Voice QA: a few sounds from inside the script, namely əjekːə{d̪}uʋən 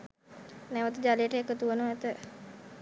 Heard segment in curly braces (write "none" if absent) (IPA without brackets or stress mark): t̪